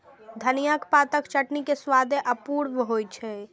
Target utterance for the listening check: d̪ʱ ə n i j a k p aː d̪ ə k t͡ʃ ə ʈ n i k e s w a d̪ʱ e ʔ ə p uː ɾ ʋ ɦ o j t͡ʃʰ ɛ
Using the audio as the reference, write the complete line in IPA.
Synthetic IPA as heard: d̪ʱ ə n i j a k p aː t̪ ə k t͡ʃ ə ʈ n i k e s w a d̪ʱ e ʔ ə p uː ɾ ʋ ɦ o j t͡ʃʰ ɛ